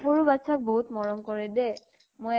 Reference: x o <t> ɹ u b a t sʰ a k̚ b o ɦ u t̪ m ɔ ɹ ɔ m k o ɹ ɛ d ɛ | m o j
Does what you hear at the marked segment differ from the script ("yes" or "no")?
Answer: yes